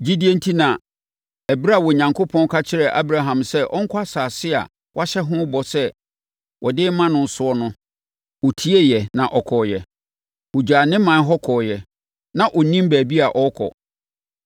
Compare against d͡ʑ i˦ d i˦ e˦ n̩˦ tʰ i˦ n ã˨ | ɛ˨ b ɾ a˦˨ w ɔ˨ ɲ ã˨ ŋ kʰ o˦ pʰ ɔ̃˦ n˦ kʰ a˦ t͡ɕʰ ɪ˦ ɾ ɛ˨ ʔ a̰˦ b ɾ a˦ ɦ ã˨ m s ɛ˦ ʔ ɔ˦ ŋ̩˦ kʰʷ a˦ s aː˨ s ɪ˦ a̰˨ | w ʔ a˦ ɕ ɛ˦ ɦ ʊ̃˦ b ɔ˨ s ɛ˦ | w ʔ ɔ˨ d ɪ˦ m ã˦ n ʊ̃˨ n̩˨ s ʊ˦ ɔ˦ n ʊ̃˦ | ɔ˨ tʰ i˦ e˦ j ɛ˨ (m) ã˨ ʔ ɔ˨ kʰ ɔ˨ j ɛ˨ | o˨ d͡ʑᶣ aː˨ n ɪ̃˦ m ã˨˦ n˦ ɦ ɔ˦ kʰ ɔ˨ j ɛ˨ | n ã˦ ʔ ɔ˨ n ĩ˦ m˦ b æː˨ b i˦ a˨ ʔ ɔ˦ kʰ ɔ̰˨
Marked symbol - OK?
no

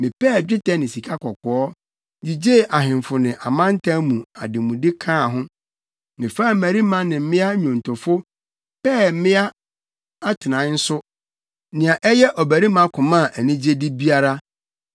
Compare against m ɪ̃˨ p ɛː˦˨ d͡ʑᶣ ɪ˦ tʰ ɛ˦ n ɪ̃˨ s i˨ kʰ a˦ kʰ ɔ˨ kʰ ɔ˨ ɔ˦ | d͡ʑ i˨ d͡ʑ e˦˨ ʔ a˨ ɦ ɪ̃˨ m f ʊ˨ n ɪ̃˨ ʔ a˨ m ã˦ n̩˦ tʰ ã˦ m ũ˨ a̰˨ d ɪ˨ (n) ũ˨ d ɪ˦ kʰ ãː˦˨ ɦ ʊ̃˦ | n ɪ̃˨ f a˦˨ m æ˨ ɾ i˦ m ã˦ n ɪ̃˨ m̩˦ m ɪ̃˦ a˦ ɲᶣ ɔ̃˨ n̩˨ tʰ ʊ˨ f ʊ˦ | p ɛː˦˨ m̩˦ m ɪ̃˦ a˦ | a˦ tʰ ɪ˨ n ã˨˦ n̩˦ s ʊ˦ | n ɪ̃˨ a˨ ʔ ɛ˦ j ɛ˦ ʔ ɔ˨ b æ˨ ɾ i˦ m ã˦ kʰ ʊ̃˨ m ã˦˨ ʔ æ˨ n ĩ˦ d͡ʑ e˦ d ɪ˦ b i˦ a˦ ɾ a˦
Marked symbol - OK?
no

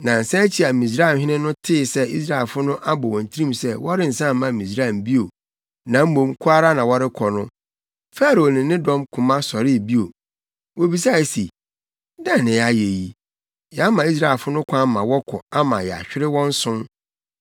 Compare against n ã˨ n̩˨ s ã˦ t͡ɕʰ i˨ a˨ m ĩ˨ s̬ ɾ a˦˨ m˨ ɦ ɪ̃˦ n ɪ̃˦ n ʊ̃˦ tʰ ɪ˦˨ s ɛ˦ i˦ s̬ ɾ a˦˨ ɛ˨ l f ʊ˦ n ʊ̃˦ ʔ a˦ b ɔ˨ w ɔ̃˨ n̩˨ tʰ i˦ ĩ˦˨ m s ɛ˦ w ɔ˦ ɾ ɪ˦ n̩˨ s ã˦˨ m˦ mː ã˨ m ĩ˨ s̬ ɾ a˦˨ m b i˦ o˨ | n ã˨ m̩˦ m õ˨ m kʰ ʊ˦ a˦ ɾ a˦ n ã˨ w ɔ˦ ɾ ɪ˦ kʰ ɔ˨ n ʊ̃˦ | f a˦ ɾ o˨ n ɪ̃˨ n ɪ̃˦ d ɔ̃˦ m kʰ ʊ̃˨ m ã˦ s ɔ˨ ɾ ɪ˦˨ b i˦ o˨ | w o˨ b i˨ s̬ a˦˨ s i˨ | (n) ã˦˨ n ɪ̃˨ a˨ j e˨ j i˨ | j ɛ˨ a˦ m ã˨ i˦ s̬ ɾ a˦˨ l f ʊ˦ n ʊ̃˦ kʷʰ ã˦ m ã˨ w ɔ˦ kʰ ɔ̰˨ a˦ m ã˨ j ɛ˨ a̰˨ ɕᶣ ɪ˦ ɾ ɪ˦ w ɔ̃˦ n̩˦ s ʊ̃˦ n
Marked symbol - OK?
no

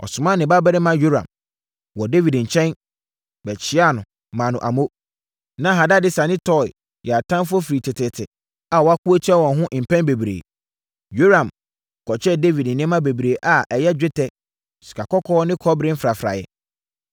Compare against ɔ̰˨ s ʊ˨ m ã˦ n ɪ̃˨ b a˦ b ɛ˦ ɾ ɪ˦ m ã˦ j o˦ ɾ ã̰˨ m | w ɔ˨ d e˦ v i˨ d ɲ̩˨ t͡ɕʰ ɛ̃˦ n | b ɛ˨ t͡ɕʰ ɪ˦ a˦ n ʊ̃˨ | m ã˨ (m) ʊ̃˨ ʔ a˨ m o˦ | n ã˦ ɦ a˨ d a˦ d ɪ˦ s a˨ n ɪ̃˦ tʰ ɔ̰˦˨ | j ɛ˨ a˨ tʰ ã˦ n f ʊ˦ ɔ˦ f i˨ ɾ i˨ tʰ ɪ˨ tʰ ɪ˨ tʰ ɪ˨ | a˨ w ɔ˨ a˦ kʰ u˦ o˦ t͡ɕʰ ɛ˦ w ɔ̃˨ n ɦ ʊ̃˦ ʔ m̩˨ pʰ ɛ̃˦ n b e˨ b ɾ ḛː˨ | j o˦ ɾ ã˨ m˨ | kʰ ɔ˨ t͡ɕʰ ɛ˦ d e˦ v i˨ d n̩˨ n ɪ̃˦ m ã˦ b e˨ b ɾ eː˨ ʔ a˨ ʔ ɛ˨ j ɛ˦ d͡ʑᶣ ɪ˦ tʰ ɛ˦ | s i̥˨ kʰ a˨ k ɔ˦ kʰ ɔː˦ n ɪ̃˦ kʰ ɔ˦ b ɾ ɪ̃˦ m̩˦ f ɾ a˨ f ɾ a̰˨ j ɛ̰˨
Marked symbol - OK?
no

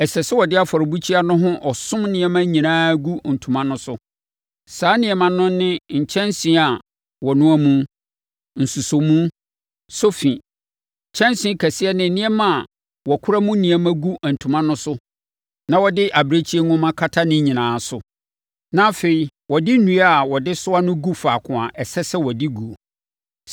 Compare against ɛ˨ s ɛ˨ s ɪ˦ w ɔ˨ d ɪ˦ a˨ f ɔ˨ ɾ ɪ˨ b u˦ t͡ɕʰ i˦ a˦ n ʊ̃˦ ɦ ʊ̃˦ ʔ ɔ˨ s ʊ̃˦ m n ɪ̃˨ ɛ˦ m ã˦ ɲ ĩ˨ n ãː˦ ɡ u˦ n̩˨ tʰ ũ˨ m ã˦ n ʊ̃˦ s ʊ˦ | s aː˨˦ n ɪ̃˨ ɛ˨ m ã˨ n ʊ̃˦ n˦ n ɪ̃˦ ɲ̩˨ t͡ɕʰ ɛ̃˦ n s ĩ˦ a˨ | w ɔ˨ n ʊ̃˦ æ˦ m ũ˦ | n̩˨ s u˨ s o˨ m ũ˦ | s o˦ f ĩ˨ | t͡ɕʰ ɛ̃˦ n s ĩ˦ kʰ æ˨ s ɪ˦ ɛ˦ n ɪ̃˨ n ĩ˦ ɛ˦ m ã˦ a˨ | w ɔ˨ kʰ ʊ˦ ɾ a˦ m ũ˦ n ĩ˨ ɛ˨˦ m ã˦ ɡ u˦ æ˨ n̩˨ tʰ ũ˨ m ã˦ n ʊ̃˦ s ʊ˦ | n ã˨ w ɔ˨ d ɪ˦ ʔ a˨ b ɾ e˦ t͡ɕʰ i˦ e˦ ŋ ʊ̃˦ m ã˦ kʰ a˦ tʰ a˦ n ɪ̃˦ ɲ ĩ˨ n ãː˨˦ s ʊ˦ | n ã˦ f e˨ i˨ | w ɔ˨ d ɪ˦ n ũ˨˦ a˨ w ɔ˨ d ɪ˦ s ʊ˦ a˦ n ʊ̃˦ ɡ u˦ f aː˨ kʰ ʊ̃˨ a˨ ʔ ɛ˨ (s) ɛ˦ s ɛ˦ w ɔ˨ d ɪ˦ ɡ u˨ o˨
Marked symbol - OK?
yes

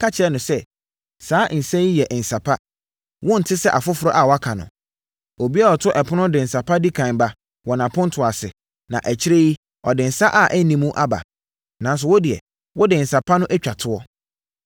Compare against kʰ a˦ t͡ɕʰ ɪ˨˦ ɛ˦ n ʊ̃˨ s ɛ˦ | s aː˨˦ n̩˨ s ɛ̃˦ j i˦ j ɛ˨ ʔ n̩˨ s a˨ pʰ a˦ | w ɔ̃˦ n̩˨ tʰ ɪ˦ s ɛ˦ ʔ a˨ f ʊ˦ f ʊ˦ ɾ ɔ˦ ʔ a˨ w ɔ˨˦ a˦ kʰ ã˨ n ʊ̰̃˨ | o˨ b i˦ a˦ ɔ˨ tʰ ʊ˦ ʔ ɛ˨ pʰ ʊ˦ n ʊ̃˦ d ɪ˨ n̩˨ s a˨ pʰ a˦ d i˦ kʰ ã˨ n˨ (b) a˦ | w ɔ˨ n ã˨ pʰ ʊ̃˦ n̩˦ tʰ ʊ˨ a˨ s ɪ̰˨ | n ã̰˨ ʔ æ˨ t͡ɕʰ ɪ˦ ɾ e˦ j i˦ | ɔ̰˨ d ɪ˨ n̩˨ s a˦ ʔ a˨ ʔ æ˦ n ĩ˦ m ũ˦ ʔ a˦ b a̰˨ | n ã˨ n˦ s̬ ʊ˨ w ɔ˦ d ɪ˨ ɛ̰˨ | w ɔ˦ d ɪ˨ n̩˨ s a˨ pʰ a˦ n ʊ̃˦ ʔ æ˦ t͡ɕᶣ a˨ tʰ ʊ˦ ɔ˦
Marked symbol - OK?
yes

